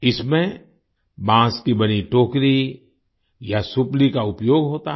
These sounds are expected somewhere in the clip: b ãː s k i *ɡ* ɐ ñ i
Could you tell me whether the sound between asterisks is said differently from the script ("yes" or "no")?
yes